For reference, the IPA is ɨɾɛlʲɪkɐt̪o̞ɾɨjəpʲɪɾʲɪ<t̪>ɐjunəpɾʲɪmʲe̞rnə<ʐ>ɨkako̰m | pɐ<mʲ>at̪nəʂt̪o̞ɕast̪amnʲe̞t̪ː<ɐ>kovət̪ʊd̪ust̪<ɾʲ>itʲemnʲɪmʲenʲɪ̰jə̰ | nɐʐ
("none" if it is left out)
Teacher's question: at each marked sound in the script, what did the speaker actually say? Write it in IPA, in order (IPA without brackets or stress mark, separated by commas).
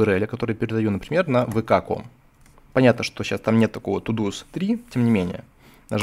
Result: d̪, v, nʲ, ɐ, ɾʲ